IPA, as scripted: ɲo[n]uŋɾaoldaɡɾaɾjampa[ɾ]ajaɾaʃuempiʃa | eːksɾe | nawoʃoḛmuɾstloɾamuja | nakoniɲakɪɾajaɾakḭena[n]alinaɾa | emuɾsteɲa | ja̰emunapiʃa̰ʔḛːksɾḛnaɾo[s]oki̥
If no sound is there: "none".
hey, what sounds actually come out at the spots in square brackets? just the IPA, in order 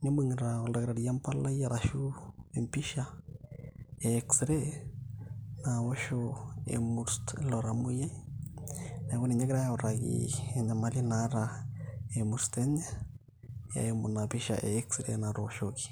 m, l, m, ʃ

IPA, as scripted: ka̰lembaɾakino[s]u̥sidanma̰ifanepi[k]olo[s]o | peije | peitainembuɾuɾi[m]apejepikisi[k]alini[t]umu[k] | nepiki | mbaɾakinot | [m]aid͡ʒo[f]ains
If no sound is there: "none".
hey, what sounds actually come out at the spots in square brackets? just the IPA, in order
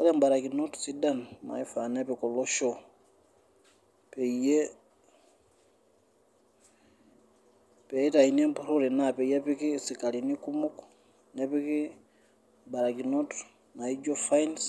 t, k, ʃ, n, k, k, k, n, f

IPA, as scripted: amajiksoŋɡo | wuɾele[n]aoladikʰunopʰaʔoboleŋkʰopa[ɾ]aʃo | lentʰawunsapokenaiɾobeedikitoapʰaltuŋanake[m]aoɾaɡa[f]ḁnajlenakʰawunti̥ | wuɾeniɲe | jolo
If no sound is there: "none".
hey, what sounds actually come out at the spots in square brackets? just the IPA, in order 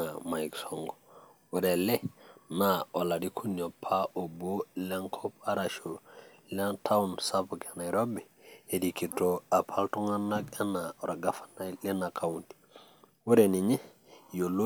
n, ɾ, n, f

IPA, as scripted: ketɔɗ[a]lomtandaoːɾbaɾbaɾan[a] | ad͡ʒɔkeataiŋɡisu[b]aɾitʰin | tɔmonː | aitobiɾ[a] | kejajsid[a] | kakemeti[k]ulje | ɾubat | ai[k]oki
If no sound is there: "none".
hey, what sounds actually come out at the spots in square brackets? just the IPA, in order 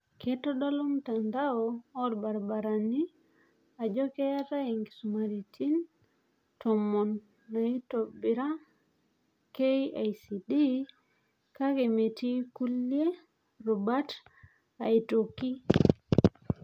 a, i, m, a, i, k, t

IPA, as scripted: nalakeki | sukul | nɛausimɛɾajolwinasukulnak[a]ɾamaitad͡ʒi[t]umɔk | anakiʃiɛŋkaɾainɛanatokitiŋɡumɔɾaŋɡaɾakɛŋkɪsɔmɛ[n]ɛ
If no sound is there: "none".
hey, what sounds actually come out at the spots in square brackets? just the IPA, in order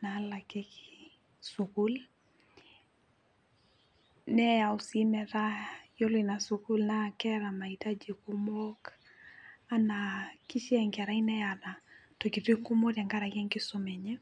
ɛ, k, ɲ

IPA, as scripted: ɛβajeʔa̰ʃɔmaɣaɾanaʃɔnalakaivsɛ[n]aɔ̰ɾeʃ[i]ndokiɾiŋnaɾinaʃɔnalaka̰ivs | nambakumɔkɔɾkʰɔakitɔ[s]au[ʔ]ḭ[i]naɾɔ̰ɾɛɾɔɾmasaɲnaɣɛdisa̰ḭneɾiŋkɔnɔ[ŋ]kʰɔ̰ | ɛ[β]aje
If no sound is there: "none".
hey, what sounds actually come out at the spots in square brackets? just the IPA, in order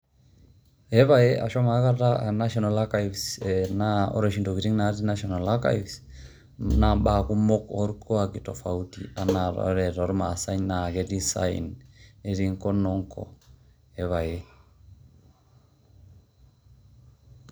n, i, f, t, a, ŋ, β

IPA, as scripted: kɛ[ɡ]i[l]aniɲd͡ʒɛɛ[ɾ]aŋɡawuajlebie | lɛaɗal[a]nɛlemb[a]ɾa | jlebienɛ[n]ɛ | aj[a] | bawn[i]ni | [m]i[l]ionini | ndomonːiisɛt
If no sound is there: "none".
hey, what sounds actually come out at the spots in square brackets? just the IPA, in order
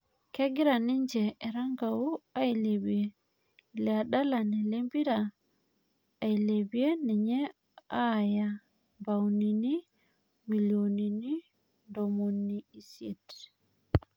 ɡ, ɾ, ɾ, a, i, ɲ, a, i, m, l

